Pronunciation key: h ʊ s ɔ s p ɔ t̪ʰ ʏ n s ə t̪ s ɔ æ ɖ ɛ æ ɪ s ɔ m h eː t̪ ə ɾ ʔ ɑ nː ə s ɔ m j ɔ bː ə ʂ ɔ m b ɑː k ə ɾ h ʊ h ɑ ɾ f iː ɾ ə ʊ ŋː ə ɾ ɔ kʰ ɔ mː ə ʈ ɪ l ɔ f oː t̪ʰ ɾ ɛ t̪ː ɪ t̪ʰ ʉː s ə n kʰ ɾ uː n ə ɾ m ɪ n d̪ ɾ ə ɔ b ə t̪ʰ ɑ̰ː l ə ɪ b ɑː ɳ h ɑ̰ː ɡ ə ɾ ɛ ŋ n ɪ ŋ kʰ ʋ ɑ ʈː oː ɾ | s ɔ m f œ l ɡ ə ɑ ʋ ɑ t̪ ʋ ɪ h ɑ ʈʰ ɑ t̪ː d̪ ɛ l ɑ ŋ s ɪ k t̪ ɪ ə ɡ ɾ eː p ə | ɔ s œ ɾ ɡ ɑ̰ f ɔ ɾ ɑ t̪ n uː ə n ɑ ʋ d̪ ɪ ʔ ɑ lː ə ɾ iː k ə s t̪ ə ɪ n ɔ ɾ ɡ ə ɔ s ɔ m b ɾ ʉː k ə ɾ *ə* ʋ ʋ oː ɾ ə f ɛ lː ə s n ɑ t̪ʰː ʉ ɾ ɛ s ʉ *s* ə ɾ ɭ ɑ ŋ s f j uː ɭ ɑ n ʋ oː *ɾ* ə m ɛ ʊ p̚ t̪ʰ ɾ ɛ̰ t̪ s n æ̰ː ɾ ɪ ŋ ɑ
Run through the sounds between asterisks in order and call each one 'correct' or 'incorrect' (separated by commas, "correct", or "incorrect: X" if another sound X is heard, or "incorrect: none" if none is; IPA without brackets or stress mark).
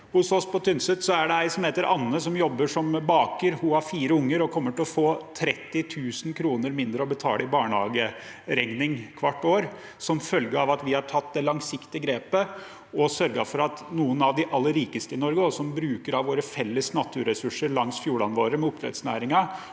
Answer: incorrect: ɑ, incorrect: ʂ, correct